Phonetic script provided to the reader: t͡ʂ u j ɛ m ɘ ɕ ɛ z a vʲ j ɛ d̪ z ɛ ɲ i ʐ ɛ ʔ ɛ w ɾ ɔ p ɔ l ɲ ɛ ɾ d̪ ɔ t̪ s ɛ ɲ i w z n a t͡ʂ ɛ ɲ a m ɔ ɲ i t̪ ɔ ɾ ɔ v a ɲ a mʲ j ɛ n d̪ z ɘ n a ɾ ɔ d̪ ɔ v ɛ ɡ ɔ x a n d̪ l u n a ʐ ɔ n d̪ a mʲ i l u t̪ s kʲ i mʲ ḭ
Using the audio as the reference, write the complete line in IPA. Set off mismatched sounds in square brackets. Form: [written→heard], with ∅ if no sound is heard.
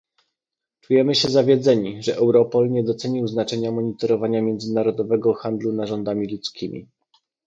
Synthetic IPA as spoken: t͡ʂ u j ɛ m ɘ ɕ ɛ z a vʲ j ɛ d̪ z ɛ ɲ i ʐ ɛ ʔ ɛ w ɾ ɔ p ɔ l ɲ ɛ [ɾ→∅] d̪ ɔ t̪ s ɛ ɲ i w z n a t͡ʂ ɛ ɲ a m ɔ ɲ i t̪ ɔ ɾ ɔ v a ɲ a mʲ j ɛ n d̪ z ɘ n a ɾ ɔ d̪ ɔ v ɛ ɡ ɔ x a n d̪ l u n a ʐ ɔ n d̪ a mʲ i l u t̪ s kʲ i mʲ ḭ